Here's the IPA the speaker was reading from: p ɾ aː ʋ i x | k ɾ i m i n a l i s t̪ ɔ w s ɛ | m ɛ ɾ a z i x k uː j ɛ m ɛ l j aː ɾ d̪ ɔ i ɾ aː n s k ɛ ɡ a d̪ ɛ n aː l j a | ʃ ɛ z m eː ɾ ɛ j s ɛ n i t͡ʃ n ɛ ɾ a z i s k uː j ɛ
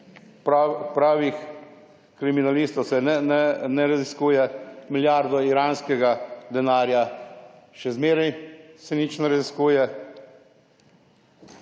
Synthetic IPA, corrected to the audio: p ɾ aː ʋ i x | k ɾ i m i n a l i s t̪ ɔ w s ɛ | n ɛ ɾ a z i s k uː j ɛ m i l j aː ɾ d̪ ɔ i ɾ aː n s k ɛ ɡ a d̪ ɛ n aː ɾ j a | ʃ ɛ z m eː ɾ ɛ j s ɛ n i t͡ʃ n ɛ ɾ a z i s k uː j ɛ

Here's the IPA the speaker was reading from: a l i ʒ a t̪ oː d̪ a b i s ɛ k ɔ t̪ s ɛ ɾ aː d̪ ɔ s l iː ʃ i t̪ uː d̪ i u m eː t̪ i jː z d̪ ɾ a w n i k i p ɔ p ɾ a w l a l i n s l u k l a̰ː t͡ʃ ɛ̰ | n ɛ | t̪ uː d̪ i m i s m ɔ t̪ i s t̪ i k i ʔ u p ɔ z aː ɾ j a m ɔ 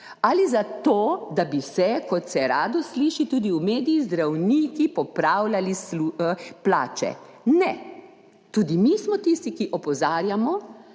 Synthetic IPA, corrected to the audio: a l i z a t̪ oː d̪ a b i s ɛ k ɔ t̪ s ɛ ɾ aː d̪ ɔ s l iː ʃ i t̪ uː d̪ i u m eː d̪ i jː z d̪ ɾ a w n i k i p ɔ p ɾ a w l a l i s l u p l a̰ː t͡ʃ ɛ̰ | n ɛ | t̪ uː d̪ i m i s m ɔ t̪ i s t̪ i k i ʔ ɔ p ɔ z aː ɾ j a m ɔ

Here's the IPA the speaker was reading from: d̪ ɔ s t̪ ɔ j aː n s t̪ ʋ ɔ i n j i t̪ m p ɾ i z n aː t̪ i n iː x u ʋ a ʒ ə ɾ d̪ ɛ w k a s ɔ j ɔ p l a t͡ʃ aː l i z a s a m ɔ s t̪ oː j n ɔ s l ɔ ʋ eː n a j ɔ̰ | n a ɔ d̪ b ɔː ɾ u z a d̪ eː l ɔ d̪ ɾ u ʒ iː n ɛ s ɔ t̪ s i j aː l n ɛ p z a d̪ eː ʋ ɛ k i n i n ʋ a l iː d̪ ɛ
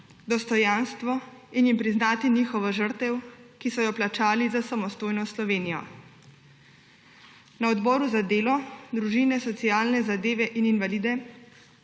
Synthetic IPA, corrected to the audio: d̪ ɔ s t̪ ɔ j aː n s t̪ ʋ ɔ i n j i m p ɾ i z n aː t̪ i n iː x ɔ ʋ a ʒ ə ɾ t̪ ɛ w k i s ɔ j ɔ p l a t͡ʃ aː l i z a s a m ɔ s t̪ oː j n ɔ s l ɔ ʋ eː n i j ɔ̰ | n a ɔ d̪ b ɔː ɾ u z a d̪ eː l ɔ d̪ ɾ u ʒ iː n ɛ s ɔ t̪ s i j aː l n ɛ z a d̪ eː ʋ ɛ ʔ i n i n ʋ a l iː d̪ ɛ

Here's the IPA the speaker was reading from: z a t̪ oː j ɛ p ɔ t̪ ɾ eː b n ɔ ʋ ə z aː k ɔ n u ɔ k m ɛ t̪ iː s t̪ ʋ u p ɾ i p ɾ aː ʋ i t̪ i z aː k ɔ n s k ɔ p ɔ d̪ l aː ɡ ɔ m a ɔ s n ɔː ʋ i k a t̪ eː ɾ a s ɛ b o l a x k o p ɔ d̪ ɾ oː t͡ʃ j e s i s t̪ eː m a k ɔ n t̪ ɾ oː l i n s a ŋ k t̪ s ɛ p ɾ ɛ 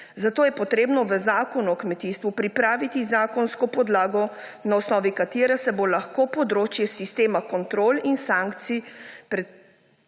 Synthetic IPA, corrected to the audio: z a t̪ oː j ɛ p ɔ t̪ ɾ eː b n ɔ ʋ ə z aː k ɔ n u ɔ k m ɛ t̪ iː s t̪ ʋ u p ɾ i p ɾ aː ʋ i t̪ i z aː k ɔ n s k ɔ p ɔ d̪ l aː ɡ ɔ n a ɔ s n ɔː ʋ i k a t̪ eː ɾ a s ɛ b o l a x k o p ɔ d̪ ɾ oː t͡ʃ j ɛ s i s t̪ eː m a k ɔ n t̪ ɾ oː l i n s a ŋ k t̪ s i p ɾ ɛ

